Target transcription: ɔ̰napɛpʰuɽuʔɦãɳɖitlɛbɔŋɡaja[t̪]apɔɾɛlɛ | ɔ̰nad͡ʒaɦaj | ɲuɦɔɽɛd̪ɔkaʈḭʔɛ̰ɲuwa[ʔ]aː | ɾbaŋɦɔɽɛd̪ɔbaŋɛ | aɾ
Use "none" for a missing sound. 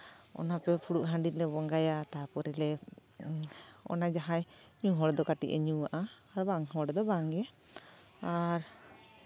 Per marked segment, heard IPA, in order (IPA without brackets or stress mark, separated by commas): t̪, ʔ